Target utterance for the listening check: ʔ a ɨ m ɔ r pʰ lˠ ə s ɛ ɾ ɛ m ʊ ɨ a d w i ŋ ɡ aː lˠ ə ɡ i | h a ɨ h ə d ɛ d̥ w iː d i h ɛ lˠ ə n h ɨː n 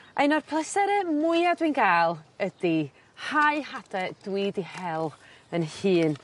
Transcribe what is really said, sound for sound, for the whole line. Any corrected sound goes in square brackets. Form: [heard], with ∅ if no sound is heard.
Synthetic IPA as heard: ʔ a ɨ [n] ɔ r pʰ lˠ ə s ɛ ɾ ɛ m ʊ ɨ a d w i [n] ɡ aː lˠ ə [d] i | h a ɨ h [a] d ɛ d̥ w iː d i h ɛ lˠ ə n h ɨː n